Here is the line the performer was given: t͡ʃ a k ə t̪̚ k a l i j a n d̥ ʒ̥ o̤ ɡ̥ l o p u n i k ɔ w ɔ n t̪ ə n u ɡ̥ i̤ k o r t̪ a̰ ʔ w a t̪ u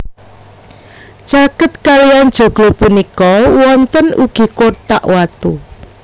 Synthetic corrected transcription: t͡ʃ a k ə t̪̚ k a l i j a n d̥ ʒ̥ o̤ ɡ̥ l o p u n i k ɔ w ɔ n t̪ ə n u ɡ̥ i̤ k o r t̪ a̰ ʔ w a t̪ u